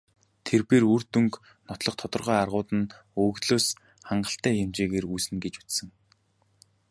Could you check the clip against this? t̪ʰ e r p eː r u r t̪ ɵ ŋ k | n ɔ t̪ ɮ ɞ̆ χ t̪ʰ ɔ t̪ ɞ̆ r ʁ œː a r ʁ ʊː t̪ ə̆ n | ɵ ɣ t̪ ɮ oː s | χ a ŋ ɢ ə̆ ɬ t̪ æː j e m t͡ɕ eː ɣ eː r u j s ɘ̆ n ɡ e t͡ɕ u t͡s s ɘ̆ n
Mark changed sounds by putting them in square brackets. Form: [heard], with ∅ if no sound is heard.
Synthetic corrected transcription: t̪ʰ e r p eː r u r t̪ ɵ ŋ k | n ɔ t̪ ɮ ɞ̆ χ t̪ʰ ɔ t̪ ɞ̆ r ʁ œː a r ʁ ʊː t̪ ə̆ n | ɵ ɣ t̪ ɮ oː s | χ a [ɴ] ɢ ə̆ ɬ t̪ æː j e m t͡ɕ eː ɣ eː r u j s ɘ̆ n ɡ e t͡ɕ u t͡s s ɘ̆ [ŋ]